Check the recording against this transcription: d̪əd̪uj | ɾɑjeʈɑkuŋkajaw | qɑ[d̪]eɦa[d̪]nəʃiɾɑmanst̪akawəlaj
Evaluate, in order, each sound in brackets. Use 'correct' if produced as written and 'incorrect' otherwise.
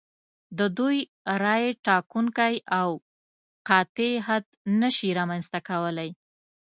incorrect: t̪, correct

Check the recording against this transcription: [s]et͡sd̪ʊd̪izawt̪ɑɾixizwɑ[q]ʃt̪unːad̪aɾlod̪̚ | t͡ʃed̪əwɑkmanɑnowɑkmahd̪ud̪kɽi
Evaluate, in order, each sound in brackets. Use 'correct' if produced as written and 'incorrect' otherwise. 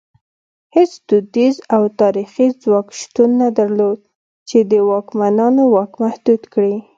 incorrect: h, incorrect: k

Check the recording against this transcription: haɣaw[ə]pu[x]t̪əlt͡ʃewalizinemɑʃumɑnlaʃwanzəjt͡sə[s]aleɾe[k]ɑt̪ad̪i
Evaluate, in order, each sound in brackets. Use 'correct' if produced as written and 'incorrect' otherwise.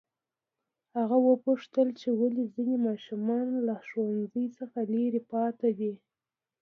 correct, incorrect: ʂ, incorrect: x, incorrect: p

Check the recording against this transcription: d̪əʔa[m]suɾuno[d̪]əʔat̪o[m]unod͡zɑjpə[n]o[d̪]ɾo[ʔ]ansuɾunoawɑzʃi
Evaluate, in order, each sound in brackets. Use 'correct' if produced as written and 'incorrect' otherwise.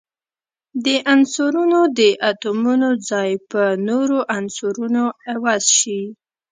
incorrect: n, correct, correct, correct, incorrect: none, correct

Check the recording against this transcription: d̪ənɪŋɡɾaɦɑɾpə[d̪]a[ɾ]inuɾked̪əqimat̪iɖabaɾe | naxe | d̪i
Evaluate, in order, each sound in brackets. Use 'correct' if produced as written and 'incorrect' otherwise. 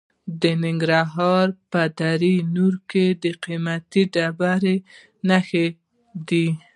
correct, correct

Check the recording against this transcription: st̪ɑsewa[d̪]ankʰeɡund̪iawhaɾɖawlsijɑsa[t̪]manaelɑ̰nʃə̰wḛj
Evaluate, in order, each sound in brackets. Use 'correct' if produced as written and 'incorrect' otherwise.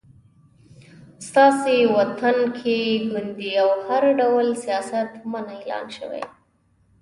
incorrect: t̪, correct

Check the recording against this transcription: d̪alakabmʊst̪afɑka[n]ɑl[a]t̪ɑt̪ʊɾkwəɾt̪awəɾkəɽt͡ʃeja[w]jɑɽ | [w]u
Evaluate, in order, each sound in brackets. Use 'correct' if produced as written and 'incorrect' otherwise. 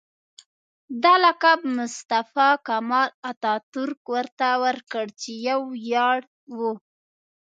incorrect: m, correct, correct, correct

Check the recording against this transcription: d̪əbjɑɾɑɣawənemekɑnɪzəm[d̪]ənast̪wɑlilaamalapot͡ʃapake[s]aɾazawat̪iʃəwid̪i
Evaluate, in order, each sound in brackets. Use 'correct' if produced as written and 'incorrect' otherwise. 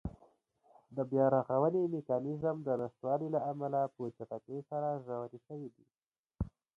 correct, correct

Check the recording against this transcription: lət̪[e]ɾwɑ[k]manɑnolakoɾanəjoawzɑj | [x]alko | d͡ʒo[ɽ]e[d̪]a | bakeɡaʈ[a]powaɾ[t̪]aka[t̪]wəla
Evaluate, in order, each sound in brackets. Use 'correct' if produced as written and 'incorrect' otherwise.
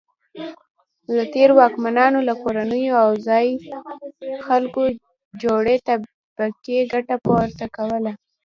correct, correct, correct, correct, incorrect: t̪, correct, correct, incorrect: none

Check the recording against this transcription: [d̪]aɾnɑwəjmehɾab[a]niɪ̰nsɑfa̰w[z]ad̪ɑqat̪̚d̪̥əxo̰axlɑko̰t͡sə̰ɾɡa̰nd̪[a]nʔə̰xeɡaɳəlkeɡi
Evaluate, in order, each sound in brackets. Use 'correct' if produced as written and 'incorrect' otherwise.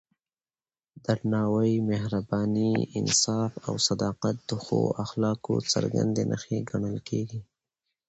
correct, incorrect: ɑ, incorrect: s, incorrect: e

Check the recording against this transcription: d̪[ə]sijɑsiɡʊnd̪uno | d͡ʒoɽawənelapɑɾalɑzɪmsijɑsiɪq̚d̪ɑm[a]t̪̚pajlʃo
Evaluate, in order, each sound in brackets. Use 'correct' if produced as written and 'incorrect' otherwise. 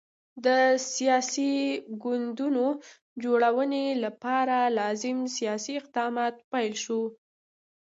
correct, incorrect: ɑ

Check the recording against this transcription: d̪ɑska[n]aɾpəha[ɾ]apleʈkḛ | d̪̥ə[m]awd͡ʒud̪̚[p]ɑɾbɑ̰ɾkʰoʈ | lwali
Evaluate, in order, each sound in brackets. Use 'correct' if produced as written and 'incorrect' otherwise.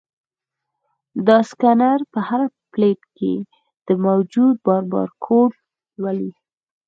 correct, correct, correct, incorrect: b

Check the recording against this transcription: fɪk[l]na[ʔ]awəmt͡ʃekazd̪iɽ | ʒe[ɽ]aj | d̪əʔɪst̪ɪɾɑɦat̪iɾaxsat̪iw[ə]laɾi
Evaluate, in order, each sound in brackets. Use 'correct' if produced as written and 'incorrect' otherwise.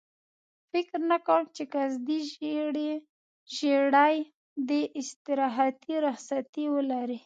incorrect: ɾ, incorrect: k, correct, correct

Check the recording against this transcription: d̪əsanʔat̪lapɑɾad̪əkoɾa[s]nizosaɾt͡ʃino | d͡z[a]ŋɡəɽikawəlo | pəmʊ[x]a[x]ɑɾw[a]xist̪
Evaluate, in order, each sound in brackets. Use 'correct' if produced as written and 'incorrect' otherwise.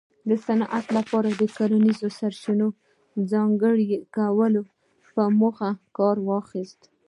incorrect: none, incorrect: ɑ, correct, incorrect: k, incorrect: ɑ

